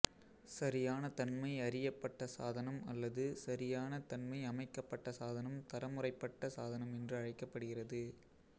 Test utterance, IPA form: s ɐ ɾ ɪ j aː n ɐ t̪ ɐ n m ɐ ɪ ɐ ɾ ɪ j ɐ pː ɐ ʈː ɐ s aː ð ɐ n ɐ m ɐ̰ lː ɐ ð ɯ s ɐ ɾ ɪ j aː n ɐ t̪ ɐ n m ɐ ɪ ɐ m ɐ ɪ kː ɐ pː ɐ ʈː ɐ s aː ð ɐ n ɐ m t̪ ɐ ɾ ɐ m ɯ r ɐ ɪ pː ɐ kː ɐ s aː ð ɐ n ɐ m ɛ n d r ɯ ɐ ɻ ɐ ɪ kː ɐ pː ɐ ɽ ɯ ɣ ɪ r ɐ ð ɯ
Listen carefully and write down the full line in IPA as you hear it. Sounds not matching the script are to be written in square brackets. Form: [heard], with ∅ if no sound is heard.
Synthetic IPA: s ɐ ɾ ɪ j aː n ɐ t̪ ɐ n m ɐ ɪ ɐ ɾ ɪ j ɐ pː ɐ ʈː ɐ s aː ð ɐ n ɐ m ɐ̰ lː ɐ ð ɯ s ɐ ɾ ɪ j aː n ɐ t̪ ɐ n m ɐ ɪ ɐ m ɐ ɪ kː ɐ pː ɐ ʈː ɐ s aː ð ɐ n ɐ m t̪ ɐ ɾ ɐ m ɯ r ɐ ɪ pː ɐ [ʈː] ɐ s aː ð ɐ n ɐ m ɛ n d r ɯ ɐ ɻ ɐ ɪ kː ɐ pː ɐ ɽ ɯ ɣ ɪ r ɐ ð ɯ